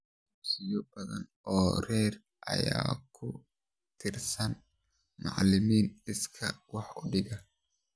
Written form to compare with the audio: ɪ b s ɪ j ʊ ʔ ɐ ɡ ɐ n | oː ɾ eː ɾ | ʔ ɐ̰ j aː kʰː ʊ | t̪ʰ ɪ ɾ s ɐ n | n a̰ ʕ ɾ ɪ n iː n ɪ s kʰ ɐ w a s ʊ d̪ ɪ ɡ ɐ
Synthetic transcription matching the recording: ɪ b s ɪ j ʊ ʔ ɐ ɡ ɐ n | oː ɾ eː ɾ | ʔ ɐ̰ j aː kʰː ʊ | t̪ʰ ɪ ɾ s ɐ n | m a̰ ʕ l ɪ m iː n ɪ s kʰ ɐ w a ħ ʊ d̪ ɪ ɡ ɐ